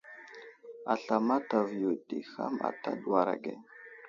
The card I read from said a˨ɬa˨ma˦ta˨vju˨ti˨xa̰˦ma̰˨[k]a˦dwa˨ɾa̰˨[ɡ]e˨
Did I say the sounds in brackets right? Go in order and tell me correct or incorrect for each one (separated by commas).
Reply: incorrect, correct